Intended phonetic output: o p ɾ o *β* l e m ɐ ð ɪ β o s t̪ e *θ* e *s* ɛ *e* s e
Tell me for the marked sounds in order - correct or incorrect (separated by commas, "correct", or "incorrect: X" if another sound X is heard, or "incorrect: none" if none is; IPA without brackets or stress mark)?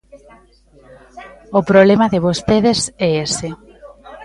correct, incorrect: ð, correct, correct